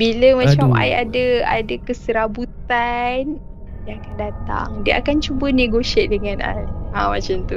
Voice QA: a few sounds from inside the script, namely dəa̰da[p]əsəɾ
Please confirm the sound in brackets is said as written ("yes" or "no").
no